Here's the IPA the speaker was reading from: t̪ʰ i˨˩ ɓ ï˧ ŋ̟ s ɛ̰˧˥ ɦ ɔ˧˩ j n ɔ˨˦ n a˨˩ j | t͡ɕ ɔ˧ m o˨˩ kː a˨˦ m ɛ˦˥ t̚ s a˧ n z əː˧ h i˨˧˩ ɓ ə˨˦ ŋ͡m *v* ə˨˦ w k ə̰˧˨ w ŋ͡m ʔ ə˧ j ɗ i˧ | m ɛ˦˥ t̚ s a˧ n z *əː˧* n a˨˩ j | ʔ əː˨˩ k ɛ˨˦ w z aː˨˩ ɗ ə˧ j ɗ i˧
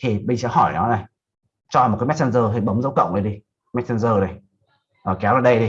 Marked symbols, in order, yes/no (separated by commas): no, yes